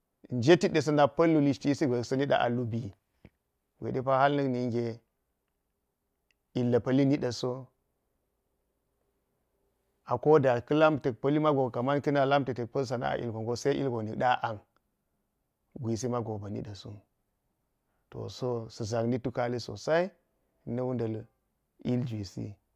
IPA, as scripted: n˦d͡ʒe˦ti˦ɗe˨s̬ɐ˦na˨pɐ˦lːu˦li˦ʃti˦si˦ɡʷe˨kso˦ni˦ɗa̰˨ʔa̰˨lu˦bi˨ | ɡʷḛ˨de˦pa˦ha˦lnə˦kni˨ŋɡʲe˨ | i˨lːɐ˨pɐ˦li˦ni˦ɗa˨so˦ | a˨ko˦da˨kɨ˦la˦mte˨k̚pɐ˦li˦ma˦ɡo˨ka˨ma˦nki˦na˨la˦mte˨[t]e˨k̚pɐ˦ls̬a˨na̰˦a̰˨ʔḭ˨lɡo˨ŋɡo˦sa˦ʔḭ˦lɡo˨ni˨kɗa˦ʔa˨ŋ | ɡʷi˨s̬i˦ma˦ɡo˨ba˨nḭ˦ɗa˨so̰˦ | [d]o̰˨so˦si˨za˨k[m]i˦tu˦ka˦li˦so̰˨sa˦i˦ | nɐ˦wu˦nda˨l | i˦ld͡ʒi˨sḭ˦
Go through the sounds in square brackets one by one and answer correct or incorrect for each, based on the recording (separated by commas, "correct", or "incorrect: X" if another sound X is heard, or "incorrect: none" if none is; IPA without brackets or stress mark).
correct, incorrect: t, incorrect: n